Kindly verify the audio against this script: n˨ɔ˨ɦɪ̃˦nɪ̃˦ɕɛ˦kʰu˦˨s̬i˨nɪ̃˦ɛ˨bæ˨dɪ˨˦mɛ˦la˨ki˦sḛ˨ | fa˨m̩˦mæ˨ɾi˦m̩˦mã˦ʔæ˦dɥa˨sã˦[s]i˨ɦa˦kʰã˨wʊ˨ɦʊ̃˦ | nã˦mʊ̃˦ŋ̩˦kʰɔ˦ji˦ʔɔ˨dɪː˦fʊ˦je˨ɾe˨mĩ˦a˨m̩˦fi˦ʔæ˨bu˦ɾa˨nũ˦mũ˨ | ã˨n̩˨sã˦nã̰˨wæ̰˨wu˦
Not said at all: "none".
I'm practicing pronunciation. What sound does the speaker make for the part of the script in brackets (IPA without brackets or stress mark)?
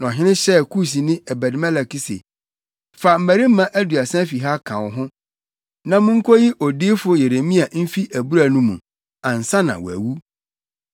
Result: f